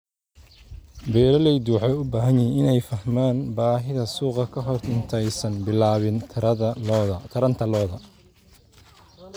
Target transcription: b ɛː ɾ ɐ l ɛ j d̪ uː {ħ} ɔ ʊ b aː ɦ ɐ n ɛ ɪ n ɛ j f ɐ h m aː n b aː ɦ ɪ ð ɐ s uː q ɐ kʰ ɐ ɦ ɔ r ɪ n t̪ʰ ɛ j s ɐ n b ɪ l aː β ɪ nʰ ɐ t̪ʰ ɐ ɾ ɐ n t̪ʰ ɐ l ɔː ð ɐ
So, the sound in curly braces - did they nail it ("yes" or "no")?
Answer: yes